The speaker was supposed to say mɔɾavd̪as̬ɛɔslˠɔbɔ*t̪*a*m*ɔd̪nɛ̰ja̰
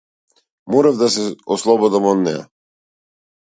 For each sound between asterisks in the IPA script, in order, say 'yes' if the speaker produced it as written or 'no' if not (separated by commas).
no, yes